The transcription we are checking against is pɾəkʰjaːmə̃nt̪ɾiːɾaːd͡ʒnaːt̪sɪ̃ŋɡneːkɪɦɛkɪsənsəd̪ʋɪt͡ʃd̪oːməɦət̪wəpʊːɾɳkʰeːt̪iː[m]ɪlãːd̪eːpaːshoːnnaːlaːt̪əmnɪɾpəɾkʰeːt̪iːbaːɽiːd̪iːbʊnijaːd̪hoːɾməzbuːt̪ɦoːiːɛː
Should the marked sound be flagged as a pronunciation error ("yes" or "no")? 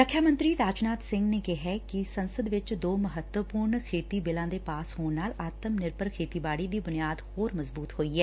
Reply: yes